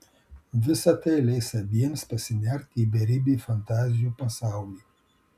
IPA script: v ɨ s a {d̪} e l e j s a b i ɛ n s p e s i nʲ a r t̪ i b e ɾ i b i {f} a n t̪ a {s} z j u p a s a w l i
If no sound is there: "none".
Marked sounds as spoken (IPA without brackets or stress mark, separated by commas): t̪, f, none